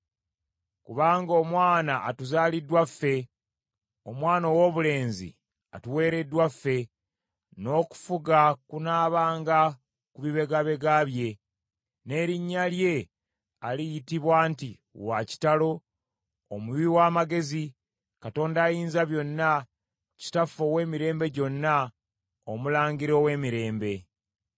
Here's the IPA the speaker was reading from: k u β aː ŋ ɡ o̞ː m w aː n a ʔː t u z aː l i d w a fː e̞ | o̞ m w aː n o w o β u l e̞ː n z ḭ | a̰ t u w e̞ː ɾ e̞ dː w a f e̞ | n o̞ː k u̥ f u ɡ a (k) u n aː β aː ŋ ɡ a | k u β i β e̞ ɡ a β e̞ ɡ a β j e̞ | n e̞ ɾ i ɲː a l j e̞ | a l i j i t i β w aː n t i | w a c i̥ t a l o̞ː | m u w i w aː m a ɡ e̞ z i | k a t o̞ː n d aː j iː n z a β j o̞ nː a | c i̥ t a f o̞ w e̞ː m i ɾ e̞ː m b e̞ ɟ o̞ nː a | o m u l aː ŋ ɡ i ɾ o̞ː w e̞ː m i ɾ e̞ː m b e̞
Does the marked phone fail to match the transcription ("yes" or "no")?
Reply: no